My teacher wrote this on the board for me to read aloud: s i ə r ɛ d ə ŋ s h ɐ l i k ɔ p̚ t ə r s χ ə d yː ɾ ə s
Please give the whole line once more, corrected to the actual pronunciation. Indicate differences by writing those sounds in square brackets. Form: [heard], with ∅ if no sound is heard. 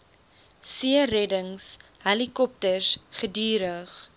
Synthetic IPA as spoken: s i ə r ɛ d ə ŋ s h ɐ l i k ɔ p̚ t ə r s χ ə d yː ɾ ə [χ]